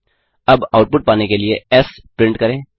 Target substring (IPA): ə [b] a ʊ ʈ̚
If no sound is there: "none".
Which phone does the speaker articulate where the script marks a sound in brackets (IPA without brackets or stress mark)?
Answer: b